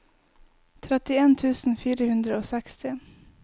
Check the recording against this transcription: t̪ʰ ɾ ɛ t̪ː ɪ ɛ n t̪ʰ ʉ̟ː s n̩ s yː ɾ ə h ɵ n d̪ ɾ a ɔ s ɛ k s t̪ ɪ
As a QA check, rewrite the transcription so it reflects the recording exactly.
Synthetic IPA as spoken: t̪ʰ ɾ ɛ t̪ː ɪ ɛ n t̪ʰ ʉ̟ː s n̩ f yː ɾ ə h ɵ n d̪ ɾ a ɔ s ɛ k s t̪ ɪ